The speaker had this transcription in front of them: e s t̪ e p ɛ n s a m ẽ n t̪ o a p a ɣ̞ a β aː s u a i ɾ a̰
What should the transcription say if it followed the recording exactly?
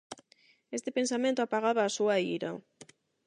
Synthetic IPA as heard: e s t̪ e p e n s a m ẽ n t̪ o a p a ɣ̞ a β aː s u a i ɾ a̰